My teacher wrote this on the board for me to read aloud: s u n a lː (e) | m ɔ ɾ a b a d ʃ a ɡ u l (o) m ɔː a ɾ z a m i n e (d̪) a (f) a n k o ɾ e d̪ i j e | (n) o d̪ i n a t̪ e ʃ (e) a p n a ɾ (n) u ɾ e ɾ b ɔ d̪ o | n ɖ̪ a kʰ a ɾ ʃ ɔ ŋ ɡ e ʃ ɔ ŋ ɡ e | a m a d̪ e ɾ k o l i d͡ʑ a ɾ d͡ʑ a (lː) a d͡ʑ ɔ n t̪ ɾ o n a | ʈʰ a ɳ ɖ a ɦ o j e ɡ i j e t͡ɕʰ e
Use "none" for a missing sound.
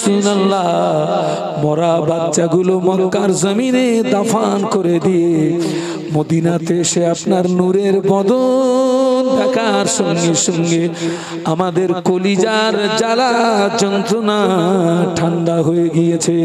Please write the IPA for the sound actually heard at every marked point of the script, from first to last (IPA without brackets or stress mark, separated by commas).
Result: a, o, d̪, f, m, e, n, l